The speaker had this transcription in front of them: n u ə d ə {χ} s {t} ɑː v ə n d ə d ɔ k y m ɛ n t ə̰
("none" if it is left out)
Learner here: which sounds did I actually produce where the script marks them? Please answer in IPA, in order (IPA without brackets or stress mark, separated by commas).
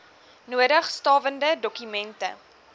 χ, t